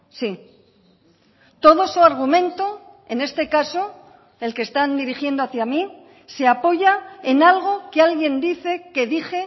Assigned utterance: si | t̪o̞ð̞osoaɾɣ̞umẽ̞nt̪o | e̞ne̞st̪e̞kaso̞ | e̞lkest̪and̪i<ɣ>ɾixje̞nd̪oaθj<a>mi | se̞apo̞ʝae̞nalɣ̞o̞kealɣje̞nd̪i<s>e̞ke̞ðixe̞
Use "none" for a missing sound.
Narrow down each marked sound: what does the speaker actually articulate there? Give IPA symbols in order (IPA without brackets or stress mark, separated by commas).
none, a, θ